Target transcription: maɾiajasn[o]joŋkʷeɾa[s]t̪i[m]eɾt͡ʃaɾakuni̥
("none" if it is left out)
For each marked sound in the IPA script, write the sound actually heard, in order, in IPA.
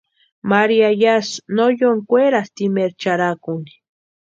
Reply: o, s, m

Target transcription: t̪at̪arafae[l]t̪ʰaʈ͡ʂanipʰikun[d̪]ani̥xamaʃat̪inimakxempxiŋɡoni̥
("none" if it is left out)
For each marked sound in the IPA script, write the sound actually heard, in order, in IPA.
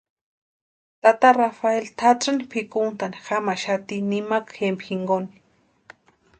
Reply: l, t̪

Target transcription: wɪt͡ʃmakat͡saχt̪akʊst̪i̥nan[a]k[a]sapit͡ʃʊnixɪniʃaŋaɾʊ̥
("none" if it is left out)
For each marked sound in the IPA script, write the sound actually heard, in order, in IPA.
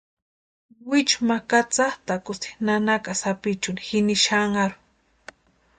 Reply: a, a

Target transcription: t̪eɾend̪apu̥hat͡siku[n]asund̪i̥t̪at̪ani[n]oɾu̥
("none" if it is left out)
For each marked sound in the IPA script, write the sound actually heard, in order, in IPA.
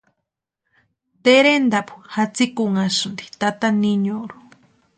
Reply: ŋ, ɲ

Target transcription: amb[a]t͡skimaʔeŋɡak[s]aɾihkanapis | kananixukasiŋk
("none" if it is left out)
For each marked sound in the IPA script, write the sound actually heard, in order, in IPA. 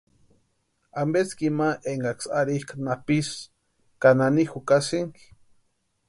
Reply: e, s

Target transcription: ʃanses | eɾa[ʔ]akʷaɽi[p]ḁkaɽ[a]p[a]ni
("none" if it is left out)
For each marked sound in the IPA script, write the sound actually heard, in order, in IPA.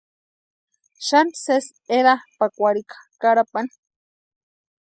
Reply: p, k, a, a

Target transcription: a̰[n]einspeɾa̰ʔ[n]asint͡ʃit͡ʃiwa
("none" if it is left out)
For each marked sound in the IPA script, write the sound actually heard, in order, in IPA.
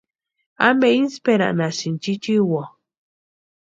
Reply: m, n

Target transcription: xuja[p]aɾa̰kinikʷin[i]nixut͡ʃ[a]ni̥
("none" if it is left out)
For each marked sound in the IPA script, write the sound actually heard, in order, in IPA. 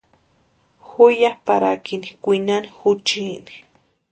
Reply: p, a, i

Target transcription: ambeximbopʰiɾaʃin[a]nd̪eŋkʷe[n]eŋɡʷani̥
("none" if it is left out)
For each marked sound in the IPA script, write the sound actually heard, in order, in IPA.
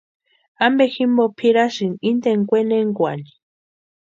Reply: i, n

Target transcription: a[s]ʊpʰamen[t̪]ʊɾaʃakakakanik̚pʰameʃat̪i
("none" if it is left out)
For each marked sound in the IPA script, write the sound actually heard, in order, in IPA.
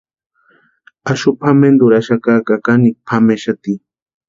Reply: ʃ, d̪

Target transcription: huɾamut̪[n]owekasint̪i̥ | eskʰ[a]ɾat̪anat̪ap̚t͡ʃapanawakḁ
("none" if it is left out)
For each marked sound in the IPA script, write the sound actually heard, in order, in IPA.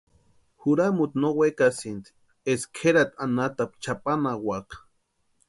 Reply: n, e

